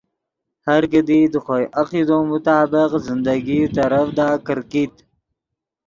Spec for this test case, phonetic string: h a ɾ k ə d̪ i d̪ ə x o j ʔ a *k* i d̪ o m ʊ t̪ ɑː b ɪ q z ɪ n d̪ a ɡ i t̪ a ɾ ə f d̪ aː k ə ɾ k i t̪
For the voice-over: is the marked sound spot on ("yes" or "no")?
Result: no